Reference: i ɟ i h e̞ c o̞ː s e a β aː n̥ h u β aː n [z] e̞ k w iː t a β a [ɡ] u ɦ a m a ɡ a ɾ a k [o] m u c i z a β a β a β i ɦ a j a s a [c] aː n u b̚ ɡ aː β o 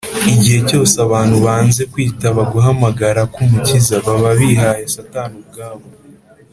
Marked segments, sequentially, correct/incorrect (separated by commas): correct, correct, incorrect, incorrect